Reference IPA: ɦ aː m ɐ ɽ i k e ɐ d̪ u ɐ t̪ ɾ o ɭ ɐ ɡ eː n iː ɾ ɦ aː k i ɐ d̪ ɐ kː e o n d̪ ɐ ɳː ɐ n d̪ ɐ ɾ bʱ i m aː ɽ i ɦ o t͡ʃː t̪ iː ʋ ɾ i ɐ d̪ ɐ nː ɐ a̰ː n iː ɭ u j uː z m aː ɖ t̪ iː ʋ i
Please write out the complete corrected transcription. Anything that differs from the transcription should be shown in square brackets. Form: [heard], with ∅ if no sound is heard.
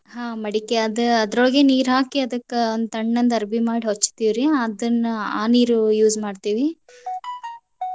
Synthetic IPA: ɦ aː m ɐ ɽ i k e ɐ d̪ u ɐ [d̪] ɾ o ɭ ɐ ɡ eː n iː ɾ ɦ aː k i ɐ d̪ ɐ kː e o n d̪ ɐ ɳː ɐ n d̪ ɐ ɾ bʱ i m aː ɽ i ɦ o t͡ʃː t̪ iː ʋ ɾ i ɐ d̪ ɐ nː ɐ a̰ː n iː [ɾ] u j uː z m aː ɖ t̪ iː ʋ i

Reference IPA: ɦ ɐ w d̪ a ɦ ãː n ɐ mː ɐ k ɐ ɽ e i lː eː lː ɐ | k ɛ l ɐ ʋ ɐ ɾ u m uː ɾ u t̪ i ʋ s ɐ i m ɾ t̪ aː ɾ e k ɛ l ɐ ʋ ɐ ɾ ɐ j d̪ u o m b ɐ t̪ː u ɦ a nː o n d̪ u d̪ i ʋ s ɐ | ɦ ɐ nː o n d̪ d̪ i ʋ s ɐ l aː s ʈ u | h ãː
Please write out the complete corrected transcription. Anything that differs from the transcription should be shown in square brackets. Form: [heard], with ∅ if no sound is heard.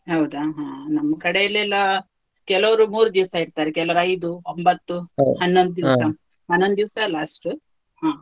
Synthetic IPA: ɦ ɐ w d̪ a ɦ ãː n ɐ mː ɐ k ɐ ɽ e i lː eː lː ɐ | k ɛ l ɐ ʋ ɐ ɾ u m uː ɾ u [d̪] i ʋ s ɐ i [∅] ɾ t̪ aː ɾ e k ɛ l ɐ ʋ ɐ ɾ ɐ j d̪ u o m b ɐ t̪ː u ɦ [ɐ] nː o n d̪ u d̪ i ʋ s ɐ | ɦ ɐ nː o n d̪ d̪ i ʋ s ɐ l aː s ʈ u | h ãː

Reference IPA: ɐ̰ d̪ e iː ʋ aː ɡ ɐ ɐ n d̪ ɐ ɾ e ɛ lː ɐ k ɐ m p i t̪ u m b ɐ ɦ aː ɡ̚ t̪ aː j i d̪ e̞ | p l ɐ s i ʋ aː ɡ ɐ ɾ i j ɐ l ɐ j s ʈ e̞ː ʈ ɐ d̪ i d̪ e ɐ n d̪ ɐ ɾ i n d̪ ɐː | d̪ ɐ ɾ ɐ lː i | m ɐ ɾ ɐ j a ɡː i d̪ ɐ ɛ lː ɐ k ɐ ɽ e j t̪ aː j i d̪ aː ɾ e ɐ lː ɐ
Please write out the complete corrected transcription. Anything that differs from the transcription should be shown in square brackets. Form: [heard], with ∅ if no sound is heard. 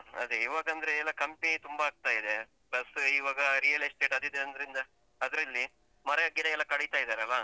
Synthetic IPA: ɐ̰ d̪ e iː ʋ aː ɡ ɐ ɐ n d̪ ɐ ɾ e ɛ lː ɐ k ɐ m p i t̪ u m b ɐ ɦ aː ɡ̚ t̪ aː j i d̪ e̞ | p l ɐ s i ʋ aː ɡ ɐ ɾ i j ɐ l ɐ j s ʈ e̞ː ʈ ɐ d̪ i d̪ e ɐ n d̪ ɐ ɾ i n d̪ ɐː | d̪ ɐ ɾ ɐ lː i | m ɐ ɾ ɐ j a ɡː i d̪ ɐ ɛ lː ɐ k ɐ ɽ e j t̪ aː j i d̪ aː ɾ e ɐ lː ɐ

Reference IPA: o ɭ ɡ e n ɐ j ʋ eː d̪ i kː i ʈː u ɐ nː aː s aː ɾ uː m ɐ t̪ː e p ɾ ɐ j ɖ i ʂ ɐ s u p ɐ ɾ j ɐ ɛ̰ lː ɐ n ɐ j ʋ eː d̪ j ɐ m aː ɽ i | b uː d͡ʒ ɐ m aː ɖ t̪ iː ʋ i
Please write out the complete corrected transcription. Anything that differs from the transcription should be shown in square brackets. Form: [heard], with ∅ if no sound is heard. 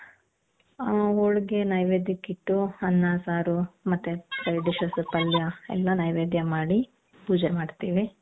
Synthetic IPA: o ɭ ɡ e n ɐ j ʋ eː d̪ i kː i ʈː u ɐ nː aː s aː ɾ [u] m ɐ t̪ː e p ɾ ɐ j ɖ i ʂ ɐ s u p ɐ [l] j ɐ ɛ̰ lː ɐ n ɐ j ʋ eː d̪ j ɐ m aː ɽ i | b uː d͡ʒ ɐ m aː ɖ t̪ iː ʋ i

